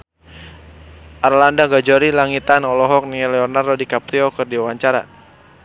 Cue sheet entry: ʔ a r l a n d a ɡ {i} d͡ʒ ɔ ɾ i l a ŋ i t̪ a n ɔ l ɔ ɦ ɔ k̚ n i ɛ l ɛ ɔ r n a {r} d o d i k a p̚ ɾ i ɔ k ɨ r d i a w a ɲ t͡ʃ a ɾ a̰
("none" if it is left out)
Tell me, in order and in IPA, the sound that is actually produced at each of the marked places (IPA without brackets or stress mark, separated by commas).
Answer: a, r